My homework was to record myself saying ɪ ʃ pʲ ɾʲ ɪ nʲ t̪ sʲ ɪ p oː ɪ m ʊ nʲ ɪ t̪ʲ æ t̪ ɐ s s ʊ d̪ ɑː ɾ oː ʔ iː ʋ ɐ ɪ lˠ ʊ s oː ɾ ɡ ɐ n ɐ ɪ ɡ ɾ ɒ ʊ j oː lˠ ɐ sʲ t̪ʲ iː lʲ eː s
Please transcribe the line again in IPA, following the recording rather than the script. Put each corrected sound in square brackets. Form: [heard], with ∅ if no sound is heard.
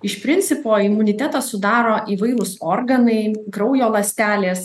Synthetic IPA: ɪ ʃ pʲ ɾʲ ɪ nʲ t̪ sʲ ɪ p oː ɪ m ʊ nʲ ɪ t̪ʲ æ t̪ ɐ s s ʊ d̪ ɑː ɾ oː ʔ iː ʋ ɐ ɪ lˠ ʊ s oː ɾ ɡ ɐ n ɐ ɪ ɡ ɾ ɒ ʊ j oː lˠ ɐ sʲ t̪ʲ [æː] lʲ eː s

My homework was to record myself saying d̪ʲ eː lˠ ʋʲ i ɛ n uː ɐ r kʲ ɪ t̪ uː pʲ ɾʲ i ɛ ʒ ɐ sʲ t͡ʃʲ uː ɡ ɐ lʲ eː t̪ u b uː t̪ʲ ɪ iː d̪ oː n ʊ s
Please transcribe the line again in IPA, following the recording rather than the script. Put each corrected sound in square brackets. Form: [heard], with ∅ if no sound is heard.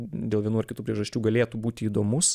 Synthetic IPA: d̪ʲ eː lˠ ʋʲ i ɛ n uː ɐ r kʲ ɪ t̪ uː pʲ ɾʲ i ɛ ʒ ɐ sʲ t͡ʃʲ uː ɡ ɐ lʲ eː t̪ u b uː t̪ʲ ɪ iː d̪ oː [m] ʊ s

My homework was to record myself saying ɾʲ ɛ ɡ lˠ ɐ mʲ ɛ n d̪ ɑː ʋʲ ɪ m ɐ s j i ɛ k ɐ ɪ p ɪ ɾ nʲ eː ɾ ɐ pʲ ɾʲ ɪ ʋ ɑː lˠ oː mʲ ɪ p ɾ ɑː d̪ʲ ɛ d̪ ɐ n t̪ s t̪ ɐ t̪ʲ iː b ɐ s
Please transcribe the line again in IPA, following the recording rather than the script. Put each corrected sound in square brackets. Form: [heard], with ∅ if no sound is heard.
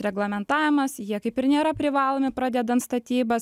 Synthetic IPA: ɾʲ ɛ ɡ lˠ ɐ mʲ ɛ n [t̪] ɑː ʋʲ ɪ m ɐ s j i ɛ k ɐ ɪ p ɪ ɾ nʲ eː ɾ ɐ pʲ ɾʲ ɪ ʋ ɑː lˠ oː mʲ ɪ p ɾ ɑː d̪ʲ ɛ d̪ ɐ n t̪ s t̪ ɐ t̪ʲ iː b ɐ s

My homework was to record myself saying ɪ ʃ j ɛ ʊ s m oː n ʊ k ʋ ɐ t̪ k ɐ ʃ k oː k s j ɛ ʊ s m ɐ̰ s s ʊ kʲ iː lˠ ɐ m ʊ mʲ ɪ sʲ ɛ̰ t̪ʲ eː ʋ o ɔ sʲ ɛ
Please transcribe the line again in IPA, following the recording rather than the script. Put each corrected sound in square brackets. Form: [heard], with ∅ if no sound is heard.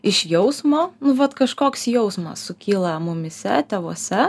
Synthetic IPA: ɪ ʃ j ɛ ʊ s m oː n ʊ [∅] ʋ ɐ t̪ k ɐ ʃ k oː k s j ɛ ʊ s m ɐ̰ s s ʊ kʲ iː lˠ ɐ m ʊ mʲ ɪ sʲ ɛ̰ t̪ʲ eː ʋ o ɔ sʲ ɛ

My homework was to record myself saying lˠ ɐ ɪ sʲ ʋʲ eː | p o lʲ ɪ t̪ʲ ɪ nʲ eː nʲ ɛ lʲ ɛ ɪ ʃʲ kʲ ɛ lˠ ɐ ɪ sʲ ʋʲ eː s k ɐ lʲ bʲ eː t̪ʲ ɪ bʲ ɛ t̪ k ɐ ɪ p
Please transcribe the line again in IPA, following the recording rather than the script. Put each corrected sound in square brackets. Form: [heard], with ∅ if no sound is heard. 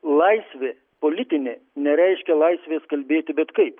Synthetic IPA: lˠ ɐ ɪ sʲ ʋʲ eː | p o lʲ ɪ t̪ʲ ɪ nʲ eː nʲ ɛ [ɾʲ] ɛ ɪ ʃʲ kʲ ɛ lˠ ɐ ɪ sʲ ʋʲ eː s k ɐ lʲ bʲ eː t̪ʲ ɪ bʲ ɛ t̪ k ɐ ɪ p

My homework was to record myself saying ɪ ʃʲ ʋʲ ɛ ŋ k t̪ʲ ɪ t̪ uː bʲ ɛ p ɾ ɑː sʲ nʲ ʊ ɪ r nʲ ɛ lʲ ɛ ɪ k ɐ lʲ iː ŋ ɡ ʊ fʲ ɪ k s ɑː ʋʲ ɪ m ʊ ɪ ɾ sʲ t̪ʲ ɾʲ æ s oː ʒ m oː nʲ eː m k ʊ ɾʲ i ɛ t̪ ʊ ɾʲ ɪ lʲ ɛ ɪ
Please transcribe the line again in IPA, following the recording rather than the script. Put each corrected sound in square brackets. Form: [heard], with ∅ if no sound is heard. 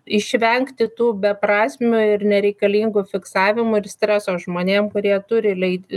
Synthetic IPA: ɪ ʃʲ ʋʲ ɛ ŋ k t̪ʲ ɪ t̪ uː bʲ ɛ p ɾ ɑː sʲ [mʲ] ʊ ɪ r nʲ ɛ [ɾʲ] ɛ ɪ k ɐ lʲ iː ŋ ɡ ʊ fʲ ɪ k s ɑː ʋʲ ɪ m ʊ ɪ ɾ sʲ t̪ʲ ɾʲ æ s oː ʒ m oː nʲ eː m k ʊ ɾʲ i ɛ t̪ ʊ ɾʲ ɪ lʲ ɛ ɪ

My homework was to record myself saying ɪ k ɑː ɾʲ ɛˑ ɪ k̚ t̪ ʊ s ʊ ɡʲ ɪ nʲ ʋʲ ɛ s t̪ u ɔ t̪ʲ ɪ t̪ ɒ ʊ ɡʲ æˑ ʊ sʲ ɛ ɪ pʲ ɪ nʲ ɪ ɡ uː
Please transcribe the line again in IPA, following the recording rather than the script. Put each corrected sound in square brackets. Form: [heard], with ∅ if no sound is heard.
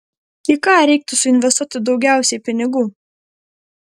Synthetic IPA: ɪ k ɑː ɾʲ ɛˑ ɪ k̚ t̪ ʊ s ʊ [∅] ɪ nʲ ʋʲ ɛ s t̪ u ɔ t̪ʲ ɪ [d̪] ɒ ʊ ɡʲ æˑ ʊ sʲ ɛ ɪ pʲ ɪ nʲ ɪ ɡ uː

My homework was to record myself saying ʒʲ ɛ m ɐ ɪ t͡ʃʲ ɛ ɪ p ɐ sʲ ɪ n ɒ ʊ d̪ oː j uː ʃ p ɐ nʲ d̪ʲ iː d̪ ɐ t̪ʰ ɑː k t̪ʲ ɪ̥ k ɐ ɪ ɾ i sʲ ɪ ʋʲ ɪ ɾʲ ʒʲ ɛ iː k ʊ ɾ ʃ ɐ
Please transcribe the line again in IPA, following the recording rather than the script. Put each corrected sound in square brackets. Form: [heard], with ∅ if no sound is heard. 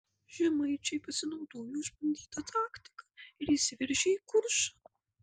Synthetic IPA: ʒʲ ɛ m ɐ ɪ t͡ʃʲ ɛ ɪ p ɐ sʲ ɪ n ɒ ʊ d̪ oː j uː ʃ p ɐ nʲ d̪ʲ iː [t̪] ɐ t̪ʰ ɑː k t̪ʲ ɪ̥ k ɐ ɪ ɾ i sʲ ɪ ʋʲ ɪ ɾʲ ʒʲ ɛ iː k ʊ ɾ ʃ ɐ

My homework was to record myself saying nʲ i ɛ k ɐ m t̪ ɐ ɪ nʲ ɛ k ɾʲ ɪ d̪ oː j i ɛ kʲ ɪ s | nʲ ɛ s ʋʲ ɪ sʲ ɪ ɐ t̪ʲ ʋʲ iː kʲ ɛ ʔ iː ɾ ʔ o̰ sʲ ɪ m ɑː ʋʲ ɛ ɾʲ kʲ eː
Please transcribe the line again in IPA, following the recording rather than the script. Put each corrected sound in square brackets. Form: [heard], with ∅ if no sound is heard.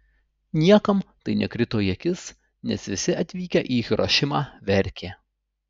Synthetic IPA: nʲ i ɛ k ɐ m t̪ ɐ ɪ nʲ ɛ k ɾʲ ɪ [t̪] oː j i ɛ kʲ ɪ s | nʲ ɛ s ʋʲ ɪ sʲ ɪ ɐ t̪ʲ ʋʲ iː kʲ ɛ ʔ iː ɾ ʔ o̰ [ʃʲ] ɪ m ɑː ʋʲ ɛ ɾʲ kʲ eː

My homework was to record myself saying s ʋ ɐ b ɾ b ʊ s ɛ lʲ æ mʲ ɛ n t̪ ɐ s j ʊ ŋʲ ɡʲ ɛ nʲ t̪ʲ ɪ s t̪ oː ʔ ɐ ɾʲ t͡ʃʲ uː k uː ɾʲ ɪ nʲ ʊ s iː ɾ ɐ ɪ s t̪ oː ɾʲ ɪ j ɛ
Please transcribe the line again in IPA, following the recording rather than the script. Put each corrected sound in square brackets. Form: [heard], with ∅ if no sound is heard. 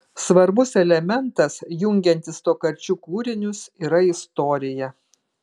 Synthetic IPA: s ʋ ɐ [∅] ɾ b ʊ s ɛ lʲ [ɛ] mʲ ɛ n t̪ ɐ s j ʊ ŋʲ ɡʲ ɛ nʲ t̪ʲ ɪ s t̪ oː [k] ɐ ɾʲ t͡ʃʲ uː k uː ɾʲ ɪ nʲ ʊ s iː ɾ ɐ ɪ s t̪ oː ɾʲ ɪ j ɛ

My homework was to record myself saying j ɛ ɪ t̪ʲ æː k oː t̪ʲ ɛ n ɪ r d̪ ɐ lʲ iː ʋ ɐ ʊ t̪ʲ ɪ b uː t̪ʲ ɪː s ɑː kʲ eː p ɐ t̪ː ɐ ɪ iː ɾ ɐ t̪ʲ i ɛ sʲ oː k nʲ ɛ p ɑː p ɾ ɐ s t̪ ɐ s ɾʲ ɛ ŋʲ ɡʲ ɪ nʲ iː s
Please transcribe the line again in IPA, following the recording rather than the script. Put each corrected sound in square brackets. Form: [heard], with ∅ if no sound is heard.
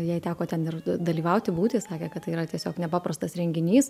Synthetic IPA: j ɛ ɪ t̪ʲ æː k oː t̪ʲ ɛ n ɪ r d̪ ɐ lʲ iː ʋ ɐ ʊ t̪ʲ ɪ b uː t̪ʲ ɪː s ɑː kʲ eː [k] ɐ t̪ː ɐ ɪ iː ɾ ɐ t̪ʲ i ɛ sʲ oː k nʲ ɛ p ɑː p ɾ ɐ s t̪ ɐ s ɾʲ ɛ ŋʲ ɡʲ ɪ nʲ iː s

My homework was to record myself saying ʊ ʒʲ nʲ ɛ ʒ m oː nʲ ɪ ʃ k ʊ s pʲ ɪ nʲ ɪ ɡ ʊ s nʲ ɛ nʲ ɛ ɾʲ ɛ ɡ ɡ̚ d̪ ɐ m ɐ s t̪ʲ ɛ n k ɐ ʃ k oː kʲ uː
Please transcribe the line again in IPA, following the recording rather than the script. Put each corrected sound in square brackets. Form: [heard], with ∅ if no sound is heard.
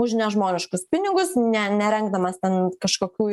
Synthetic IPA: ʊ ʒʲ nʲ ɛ ʒ m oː nʲ ɪ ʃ k ʊ s pʲ ɪ nʲ ɪ ɡ ʊ s nʲ ɛ nʲ ɛ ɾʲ ɛ [ŋ] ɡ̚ d̪ ɐ m ɐ s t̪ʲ ɛ n k ɐ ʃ k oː kʲ uː

